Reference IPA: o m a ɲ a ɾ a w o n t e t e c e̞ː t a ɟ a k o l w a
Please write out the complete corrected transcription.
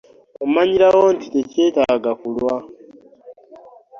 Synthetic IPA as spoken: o m a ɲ i ɾ a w o n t i t e c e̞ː t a ɡ a k u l w a